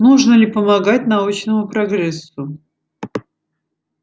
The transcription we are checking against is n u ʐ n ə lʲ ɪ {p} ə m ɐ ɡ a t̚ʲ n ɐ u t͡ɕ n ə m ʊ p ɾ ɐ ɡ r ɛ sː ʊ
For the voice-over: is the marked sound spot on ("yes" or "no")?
yes